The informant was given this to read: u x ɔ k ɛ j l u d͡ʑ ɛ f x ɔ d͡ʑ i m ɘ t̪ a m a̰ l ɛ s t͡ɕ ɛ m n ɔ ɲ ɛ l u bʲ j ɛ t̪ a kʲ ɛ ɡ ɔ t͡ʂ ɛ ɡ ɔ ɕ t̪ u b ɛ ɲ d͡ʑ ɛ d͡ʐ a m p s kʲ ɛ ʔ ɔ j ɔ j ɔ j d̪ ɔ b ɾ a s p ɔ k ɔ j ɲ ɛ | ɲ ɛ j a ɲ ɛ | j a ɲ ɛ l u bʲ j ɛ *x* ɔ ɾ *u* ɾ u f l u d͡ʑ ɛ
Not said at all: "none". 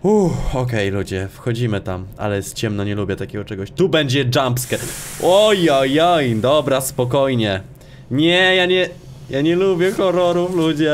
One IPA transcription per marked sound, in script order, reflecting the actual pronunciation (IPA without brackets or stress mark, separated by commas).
x, ɔ